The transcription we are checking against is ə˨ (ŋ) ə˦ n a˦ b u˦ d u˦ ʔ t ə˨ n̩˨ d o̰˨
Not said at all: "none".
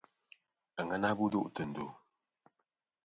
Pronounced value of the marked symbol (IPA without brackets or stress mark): ŋ